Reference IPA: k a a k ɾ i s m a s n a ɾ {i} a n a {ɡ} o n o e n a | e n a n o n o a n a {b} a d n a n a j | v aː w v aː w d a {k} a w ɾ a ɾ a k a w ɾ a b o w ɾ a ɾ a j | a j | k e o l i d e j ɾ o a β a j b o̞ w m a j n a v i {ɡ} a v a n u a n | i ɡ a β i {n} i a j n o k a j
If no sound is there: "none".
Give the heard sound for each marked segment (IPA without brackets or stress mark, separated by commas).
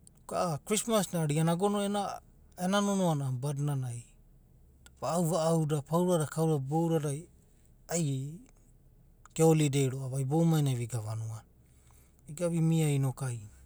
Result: i, ɡ, b, p, ɡ, m